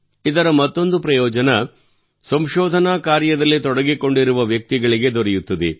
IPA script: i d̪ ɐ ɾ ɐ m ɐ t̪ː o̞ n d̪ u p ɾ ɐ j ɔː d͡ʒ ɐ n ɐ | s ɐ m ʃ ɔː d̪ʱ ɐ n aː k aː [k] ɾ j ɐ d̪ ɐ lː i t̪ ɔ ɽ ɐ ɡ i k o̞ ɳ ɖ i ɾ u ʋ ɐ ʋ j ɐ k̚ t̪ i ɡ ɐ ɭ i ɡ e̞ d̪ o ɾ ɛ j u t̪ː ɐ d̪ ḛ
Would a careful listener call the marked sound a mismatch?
yes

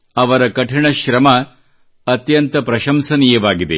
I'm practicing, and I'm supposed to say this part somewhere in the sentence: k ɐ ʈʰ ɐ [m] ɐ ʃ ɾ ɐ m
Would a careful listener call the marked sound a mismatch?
yes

